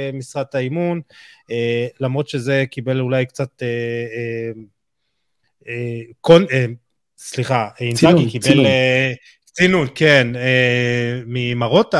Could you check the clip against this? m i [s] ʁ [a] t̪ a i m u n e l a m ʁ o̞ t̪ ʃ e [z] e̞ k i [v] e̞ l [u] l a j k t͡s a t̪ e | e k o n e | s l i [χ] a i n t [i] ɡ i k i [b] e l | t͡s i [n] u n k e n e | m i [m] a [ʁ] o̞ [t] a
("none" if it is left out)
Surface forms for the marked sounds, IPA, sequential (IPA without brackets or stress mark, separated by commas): s, a, z, b, u, χ, a, b, n, m, ʁ, t